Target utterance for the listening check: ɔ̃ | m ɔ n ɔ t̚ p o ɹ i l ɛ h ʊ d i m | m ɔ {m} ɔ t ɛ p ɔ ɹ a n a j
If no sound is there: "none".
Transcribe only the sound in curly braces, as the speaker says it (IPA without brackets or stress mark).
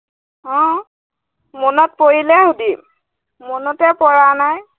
n